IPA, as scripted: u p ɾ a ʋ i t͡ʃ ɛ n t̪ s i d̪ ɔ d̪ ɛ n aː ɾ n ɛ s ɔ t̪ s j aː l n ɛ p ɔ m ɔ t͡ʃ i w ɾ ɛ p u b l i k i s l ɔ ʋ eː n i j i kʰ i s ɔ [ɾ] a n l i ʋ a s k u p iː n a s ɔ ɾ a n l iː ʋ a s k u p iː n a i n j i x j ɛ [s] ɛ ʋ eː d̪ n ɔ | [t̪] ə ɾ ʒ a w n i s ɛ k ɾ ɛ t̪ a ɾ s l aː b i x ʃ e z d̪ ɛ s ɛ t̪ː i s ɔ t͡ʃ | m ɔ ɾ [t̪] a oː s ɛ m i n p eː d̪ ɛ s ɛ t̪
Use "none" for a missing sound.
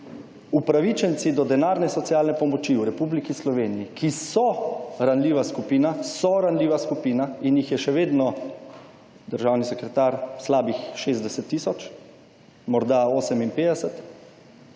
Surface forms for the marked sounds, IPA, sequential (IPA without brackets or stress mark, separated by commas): ɾ, ʃ, d̪, d̪